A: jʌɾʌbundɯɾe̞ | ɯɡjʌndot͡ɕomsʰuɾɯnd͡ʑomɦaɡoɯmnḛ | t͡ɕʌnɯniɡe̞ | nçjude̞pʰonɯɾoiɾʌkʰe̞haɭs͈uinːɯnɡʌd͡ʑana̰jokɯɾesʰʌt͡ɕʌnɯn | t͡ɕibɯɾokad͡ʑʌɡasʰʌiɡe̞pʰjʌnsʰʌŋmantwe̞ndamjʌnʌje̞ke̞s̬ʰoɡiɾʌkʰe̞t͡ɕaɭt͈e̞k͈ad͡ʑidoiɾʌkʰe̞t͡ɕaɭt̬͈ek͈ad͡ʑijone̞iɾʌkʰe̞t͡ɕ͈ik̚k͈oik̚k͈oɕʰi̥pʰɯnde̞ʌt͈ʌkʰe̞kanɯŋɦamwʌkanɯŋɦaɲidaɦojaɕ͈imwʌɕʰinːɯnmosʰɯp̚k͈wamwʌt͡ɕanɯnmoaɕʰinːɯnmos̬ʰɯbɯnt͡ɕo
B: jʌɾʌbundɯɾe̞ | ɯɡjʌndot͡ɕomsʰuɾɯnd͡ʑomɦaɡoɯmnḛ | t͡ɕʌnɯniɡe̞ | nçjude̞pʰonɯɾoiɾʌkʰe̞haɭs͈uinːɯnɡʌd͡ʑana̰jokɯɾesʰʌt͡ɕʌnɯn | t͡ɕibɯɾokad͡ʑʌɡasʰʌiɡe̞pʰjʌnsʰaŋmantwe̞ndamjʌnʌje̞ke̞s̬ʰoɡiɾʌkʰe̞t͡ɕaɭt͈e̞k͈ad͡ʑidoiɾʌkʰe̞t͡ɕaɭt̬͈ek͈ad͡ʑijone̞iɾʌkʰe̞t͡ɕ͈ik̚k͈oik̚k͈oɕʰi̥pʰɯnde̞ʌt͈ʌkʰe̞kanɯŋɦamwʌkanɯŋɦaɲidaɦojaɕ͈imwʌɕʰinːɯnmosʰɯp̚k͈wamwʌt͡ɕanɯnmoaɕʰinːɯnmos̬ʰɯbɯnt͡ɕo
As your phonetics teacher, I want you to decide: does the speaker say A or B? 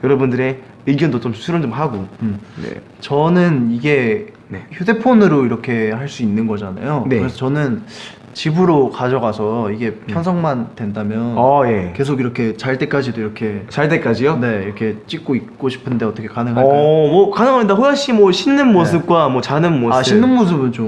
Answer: A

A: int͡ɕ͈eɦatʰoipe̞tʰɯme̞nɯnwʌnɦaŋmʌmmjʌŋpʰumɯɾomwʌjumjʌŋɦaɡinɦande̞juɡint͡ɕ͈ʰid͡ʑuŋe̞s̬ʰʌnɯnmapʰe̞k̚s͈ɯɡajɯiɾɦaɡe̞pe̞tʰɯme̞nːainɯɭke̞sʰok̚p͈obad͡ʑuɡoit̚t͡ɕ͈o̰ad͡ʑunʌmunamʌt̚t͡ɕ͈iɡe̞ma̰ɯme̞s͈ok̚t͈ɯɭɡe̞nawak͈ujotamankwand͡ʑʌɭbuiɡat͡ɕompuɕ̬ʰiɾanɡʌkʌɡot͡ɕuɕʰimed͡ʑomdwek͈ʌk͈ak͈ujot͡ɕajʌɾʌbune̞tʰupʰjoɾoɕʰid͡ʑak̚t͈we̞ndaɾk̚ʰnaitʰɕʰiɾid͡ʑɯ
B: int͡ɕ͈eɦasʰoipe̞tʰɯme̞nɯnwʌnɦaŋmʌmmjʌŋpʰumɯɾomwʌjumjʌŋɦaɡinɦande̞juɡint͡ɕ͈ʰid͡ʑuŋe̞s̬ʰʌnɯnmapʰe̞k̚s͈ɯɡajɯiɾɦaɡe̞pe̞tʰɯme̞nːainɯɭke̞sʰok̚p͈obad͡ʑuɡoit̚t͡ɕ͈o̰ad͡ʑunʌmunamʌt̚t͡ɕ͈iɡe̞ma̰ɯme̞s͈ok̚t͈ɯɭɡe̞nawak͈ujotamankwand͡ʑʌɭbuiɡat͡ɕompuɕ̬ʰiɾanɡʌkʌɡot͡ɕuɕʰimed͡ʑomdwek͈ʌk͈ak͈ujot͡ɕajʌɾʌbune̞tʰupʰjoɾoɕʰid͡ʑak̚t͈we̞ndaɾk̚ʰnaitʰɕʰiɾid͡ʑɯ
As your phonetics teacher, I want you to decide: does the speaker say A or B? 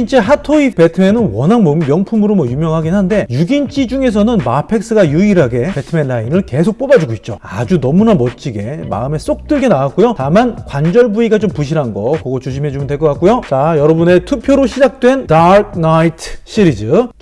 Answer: A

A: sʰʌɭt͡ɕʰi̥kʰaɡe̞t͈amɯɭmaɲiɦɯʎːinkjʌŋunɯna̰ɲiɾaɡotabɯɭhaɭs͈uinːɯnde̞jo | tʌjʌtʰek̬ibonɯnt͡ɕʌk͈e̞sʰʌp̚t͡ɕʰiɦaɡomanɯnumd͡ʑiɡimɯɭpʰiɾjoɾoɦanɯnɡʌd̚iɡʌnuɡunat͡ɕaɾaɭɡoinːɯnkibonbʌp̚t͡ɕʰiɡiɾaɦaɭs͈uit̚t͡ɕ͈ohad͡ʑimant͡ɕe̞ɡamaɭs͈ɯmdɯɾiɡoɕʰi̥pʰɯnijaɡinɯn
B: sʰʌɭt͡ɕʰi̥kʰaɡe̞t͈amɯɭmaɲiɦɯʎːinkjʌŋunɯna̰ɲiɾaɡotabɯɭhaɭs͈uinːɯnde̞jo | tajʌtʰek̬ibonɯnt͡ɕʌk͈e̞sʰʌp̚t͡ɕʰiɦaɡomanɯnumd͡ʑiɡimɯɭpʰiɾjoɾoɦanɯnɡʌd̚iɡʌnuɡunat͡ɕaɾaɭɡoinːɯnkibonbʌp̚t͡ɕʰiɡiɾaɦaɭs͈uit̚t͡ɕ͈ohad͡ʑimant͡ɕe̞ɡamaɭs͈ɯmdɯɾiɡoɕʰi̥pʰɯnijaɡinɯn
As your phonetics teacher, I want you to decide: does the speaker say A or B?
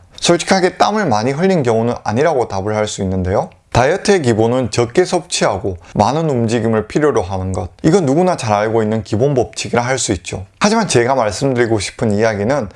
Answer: B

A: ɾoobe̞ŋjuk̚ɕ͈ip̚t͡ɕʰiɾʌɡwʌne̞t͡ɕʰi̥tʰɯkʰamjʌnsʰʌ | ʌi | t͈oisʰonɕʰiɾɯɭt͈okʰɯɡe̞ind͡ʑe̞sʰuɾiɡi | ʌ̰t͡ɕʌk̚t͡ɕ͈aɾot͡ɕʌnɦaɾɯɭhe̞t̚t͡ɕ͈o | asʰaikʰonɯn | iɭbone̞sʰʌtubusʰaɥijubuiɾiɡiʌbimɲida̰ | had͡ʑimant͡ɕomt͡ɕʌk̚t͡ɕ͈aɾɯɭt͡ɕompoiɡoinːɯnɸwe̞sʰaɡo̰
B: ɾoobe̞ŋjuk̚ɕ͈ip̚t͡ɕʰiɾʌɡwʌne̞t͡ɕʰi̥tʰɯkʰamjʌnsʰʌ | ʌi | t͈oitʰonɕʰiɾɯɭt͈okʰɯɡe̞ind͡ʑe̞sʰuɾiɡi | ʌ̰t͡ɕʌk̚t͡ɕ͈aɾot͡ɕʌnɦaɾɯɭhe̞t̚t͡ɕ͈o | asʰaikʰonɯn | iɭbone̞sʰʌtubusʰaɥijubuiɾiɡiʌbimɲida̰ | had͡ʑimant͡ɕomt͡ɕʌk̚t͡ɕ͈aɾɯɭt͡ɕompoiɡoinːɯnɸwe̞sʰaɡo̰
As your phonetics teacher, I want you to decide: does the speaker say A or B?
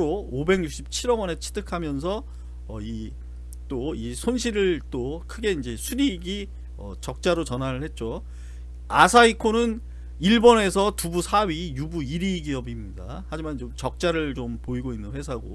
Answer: A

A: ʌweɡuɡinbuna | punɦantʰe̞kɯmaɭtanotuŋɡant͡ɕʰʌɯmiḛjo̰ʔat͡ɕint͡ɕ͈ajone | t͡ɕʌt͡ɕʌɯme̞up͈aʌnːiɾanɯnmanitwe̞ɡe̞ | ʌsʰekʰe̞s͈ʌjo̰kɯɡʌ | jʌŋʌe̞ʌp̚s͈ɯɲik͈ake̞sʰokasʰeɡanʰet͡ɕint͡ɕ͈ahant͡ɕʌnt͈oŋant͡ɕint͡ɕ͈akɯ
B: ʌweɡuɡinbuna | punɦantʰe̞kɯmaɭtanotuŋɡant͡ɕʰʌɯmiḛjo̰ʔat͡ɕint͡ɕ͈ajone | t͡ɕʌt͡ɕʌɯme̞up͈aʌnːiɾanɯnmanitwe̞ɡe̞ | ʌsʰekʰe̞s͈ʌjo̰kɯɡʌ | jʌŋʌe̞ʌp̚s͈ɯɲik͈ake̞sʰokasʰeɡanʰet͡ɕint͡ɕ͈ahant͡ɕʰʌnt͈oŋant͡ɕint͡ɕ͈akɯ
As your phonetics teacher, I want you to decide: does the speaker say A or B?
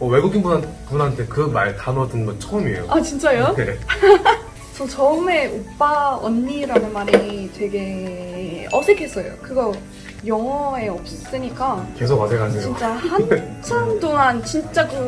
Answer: B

